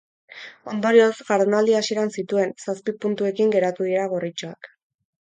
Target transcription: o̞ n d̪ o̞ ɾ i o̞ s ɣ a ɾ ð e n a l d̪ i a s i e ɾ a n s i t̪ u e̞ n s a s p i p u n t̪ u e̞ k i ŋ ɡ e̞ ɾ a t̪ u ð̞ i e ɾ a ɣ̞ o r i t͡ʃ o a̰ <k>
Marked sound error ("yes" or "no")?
no